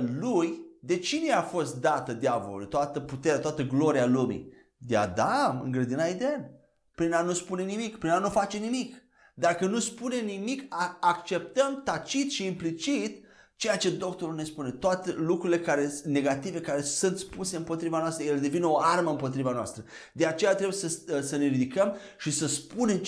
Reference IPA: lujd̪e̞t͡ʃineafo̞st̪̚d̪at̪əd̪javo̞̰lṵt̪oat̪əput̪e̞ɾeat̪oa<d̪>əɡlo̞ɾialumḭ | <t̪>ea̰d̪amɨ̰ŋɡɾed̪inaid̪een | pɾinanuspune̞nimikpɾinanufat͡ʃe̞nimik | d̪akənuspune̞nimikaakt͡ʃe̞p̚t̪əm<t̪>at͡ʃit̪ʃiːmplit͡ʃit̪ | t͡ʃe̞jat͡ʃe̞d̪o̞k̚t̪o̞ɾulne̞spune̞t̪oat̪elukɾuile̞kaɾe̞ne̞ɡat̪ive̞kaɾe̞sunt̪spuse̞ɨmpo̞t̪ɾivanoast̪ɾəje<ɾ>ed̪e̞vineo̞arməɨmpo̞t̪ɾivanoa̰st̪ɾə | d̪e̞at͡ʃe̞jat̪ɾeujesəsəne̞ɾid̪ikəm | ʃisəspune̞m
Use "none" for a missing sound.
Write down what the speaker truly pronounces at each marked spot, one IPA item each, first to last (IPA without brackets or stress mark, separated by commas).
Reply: t̪, d̪, t̪, l